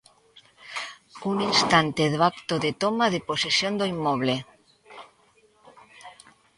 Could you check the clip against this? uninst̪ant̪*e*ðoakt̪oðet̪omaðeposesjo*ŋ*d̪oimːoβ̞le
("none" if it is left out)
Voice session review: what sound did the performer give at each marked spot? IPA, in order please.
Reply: e, n

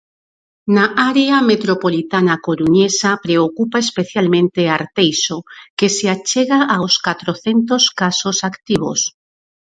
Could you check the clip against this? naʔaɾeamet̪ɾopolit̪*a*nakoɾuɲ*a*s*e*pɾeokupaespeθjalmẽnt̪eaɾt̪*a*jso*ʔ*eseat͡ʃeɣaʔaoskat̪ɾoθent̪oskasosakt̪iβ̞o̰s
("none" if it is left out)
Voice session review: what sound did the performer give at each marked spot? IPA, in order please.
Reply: a, e, a, e, k

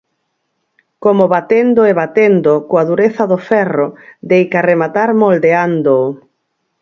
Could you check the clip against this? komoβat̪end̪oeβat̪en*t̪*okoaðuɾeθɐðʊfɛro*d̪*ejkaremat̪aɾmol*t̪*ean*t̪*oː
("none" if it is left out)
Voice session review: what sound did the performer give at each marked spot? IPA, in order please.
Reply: d̪, d̪, d̪, d̪

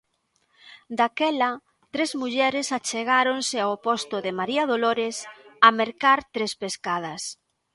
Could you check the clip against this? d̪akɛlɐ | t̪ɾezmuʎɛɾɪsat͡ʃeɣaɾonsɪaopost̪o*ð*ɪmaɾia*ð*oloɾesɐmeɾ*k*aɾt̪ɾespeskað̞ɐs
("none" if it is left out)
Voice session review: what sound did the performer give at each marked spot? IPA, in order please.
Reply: ð, ð, k

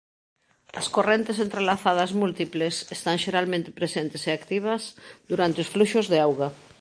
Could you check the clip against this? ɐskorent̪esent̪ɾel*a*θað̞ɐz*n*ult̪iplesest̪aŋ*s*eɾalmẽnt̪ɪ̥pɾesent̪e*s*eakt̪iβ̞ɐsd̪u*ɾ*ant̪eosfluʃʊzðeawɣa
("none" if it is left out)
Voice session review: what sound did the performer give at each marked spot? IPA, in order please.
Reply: a, m, ʃ, s, ɾ

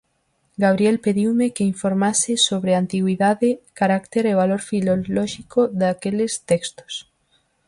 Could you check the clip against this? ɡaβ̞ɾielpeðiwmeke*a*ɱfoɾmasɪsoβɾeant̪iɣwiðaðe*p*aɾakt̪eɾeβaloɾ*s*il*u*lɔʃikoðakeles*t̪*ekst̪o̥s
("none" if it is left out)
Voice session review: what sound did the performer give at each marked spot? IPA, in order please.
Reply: i, k, f, o, t̪

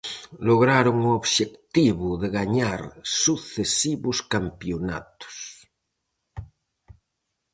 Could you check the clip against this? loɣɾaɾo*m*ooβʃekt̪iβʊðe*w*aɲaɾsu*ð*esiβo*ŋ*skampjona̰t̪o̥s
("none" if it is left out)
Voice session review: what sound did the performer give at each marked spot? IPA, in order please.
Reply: ŋ, ɣ, θ, none

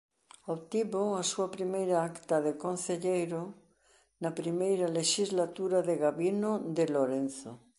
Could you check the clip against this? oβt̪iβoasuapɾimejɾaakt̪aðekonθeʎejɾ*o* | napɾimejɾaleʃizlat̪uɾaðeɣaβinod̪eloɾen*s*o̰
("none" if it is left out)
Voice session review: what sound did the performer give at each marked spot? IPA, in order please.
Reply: o, θ

